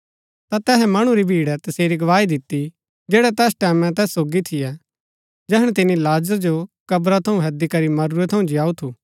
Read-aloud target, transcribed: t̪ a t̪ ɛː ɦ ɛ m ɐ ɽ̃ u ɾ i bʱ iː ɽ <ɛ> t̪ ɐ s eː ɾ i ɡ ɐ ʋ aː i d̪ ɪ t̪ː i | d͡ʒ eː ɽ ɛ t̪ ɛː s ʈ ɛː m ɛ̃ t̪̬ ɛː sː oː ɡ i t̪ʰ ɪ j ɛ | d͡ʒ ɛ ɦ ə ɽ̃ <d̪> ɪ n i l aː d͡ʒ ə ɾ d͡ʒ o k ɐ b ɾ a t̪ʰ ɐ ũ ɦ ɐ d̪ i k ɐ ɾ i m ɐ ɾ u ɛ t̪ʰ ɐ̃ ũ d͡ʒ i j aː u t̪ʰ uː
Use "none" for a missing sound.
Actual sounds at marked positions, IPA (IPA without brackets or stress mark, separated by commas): ɛ, t̪